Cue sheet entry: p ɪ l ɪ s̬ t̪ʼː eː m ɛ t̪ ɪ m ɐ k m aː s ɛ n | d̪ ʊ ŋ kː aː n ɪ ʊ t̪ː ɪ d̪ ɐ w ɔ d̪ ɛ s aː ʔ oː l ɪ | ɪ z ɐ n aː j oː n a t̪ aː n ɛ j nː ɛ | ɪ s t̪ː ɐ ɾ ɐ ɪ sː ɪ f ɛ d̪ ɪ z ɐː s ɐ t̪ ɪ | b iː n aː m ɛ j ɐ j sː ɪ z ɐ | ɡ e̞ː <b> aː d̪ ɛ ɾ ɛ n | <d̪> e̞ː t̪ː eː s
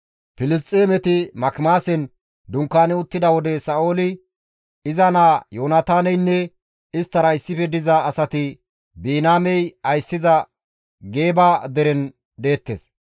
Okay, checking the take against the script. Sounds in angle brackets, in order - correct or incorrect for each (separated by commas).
correct, correct